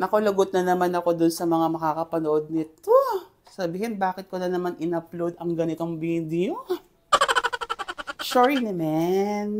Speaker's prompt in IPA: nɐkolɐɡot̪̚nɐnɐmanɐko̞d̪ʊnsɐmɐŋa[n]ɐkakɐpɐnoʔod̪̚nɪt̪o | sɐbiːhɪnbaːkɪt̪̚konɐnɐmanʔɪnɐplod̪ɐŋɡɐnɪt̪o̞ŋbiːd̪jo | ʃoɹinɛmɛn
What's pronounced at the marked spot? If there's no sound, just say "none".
m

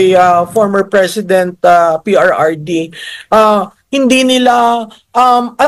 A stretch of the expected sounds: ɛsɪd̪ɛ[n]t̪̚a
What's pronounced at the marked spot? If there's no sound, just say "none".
n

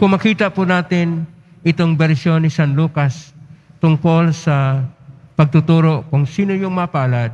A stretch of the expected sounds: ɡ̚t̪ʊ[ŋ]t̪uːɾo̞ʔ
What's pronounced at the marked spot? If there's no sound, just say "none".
none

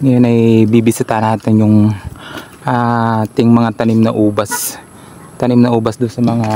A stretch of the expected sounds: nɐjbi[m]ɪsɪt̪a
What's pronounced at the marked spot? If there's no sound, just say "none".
b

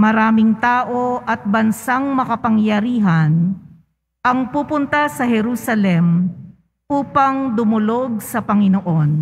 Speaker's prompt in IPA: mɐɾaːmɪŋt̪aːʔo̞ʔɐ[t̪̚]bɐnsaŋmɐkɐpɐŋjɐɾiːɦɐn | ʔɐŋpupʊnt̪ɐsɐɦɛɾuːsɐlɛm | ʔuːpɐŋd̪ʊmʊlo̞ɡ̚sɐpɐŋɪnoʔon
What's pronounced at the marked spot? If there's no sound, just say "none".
t̪̚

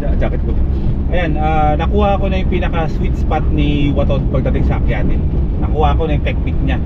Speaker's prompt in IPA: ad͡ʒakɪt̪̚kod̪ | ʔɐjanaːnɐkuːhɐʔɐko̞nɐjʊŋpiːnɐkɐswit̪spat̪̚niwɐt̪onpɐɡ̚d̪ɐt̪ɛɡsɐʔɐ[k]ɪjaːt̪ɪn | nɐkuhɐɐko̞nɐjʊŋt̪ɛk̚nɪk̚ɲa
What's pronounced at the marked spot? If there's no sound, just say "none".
k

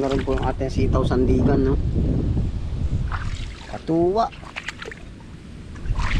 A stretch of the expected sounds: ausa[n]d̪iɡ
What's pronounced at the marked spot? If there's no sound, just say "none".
n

